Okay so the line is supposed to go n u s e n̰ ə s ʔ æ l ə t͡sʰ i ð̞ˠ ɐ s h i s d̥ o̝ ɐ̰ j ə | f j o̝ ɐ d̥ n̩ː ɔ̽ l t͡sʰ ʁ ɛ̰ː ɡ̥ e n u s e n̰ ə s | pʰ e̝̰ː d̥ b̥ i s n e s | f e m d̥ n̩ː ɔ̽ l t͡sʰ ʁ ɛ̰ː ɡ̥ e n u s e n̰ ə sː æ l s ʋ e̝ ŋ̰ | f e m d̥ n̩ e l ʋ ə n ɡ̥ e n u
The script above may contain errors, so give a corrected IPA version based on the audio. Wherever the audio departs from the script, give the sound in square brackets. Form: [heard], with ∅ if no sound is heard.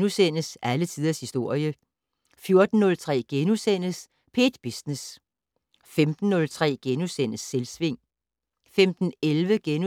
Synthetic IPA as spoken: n u s e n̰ ə s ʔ æ l ə t͡sʰ i ð̞ˠ ɐ s h i s d̥ o̝ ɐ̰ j ə | f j o̝ ɐ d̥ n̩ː ɔ̽ l t͡sʰ ʁ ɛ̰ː ɡ̥ e n u s e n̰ ə s | pʰ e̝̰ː d̥ b̥ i s n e s | f e m d̥ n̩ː ɔ̽ l t͡sʰ ʁ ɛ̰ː ɡ̥ e n u s e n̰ ə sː [e] l s ʋ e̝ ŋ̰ | f e m d̥ n̩ e l ʋ ə [∅] ɡ̥ e n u